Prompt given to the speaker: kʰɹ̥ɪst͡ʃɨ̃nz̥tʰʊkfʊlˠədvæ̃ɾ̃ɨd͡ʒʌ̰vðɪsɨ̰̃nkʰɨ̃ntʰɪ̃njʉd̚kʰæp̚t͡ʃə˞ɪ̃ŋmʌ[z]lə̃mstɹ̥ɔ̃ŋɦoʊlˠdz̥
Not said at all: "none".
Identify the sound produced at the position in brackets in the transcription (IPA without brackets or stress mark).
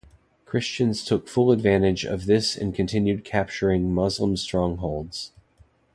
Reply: z